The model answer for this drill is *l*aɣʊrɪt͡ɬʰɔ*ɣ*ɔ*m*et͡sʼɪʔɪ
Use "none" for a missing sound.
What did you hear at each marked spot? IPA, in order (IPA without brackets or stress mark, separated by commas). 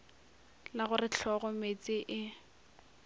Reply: l, ɣ, m